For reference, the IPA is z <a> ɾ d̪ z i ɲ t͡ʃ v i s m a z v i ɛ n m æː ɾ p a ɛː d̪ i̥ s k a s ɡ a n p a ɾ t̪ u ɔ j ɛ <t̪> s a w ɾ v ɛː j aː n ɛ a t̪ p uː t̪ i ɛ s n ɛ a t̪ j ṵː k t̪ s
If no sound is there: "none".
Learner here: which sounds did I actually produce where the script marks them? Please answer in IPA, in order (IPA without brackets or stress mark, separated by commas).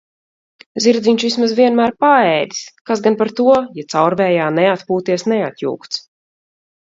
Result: i, t̪